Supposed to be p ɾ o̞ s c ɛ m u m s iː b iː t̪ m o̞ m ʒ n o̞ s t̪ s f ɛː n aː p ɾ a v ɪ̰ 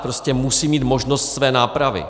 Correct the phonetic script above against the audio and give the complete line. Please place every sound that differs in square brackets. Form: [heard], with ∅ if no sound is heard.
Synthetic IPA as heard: p ɾ o̞ s c ɛ m u [∅] s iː [m] iː t̪ m o̞ [∅] ʒ n o̞ s t̪ s [v] ɛː n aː p ɾ a v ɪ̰